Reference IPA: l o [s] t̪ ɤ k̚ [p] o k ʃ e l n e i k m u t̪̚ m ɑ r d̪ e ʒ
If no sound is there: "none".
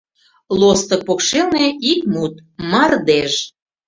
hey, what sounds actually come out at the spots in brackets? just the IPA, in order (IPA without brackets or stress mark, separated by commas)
s, p